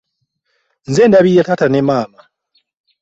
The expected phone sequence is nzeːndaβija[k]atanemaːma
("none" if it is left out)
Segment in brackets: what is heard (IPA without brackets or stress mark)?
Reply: t